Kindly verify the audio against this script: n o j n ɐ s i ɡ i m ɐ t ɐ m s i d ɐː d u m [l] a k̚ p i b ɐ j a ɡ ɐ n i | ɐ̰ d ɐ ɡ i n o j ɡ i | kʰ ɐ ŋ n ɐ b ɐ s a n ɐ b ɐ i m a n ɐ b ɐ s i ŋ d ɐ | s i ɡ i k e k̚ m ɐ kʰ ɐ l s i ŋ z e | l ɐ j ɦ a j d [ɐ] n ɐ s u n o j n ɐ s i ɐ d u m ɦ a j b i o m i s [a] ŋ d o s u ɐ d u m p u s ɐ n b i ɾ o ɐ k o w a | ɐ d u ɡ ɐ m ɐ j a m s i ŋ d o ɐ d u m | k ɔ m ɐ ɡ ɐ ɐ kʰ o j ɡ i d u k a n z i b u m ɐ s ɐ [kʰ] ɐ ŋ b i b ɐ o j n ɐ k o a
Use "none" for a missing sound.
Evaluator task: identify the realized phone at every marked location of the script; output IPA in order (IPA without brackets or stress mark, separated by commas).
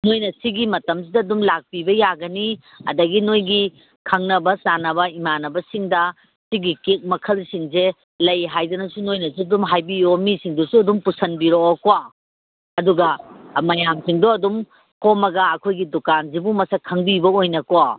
l, ɐ, i, kʰ